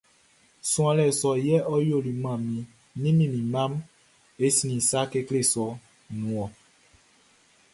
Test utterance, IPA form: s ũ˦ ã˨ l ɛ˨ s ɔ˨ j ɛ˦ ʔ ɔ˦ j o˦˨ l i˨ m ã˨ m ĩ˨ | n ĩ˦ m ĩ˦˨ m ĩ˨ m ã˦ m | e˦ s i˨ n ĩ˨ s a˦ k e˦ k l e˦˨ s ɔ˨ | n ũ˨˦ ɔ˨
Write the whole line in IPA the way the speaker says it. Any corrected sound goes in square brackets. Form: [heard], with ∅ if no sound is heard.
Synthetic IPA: s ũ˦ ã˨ l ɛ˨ s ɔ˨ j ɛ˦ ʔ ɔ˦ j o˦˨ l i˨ m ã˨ m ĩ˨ | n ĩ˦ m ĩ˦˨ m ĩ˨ m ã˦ m | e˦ s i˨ n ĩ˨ s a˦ k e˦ k l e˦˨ s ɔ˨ | n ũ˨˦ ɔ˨